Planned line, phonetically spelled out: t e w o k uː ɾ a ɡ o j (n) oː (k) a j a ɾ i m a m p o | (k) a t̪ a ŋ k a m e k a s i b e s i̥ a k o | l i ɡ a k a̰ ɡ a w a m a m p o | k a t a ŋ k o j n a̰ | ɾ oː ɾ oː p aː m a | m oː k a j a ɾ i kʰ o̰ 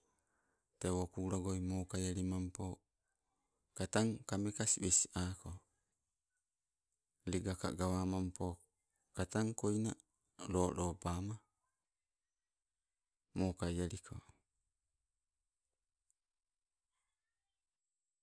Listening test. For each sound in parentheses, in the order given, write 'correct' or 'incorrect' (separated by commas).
incorrect, correct, correct